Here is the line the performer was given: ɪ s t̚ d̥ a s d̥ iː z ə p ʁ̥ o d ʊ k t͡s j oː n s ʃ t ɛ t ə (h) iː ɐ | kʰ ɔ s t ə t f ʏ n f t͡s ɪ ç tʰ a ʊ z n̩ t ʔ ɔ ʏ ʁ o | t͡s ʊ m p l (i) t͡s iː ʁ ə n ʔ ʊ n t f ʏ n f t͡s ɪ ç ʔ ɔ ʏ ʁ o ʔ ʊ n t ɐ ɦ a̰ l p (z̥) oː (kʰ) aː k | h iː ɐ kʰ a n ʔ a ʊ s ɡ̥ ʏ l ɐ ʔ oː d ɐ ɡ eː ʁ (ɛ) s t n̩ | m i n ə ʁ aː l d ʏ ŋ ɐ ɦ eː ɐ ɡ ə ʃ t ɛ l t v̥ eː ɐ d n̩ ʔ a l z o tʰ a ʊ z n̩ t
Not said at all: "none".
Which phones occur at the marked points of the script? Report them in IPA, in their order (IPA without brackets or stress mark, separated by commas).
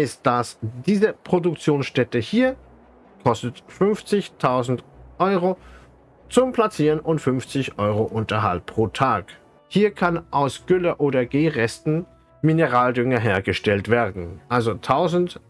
h, a, ʁ̥, tʰ, ɛ